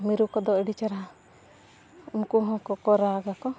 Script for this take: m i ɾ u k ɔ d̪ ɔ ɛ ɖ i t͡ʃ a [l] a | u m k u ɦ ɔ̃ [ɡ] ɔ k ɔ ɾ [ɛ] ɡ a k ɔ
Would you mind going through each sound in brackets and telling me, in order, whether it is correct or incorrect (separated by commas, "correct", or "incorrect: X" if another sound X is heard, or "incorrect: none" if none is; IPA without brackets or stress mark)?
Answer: incorrect: ɾ, incorrect: k, incorrect: a